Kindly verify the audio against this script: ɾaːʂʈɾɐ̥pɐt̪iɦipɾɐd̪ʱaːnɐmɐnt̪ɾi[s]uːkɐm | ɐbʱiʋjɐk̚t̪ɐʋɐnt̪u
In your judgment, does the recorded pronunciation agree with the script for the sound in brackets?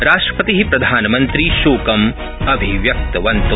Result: no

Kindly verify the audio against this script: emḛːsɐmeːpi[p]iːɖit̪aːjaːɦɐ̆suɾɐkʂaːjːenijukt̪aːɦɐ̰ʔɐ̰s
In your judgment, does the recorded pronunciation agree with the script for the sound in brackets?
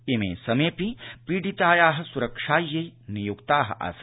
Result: yes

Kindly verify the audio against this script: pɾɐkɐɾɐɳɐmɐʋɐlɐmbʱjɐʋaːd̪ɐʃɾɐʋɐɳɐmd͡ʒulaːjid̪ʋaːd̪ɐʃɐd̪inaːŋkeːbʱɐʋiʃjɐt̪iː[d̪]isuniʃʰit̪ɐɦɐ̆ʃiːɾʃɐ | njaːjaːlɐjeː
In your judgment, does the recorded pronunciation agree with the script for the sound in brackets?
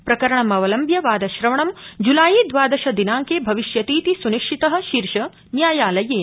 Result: no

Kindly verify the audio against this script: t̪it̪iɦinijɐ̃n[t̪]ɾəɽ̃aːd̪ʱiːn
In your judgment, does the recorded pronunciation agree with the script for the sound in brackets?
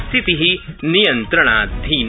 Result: yes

